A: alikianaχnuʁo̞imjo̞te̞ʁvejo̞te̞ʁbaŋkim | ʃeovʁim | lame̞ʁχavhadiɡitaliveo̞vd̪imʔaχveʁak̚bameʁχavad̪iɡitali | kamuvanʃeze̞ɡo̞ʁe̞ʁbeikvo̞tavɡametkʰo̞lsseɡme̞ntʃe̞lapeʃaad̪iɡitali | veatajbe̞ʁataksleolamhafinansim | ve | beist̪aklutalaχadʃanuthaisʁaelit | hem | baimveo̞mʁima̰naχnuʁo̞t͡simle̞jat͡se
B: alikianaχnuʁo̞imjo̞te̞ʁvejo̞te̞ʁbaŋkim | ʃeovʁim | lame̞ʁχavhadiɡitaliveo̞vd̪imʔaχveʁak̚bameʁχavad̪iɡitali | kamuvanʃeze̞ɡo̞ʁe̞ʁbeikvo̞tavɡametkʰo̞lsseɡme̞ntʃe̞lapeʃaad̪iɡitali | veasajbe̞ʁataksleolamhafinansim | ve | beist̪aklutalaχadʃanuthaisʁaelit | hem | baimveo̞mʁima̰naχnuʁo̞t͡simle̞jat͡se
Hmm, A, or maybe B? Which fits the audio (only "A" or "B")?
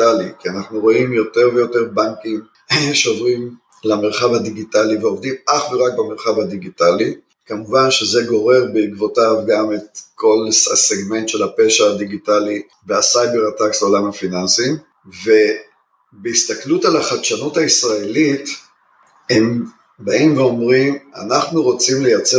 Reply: B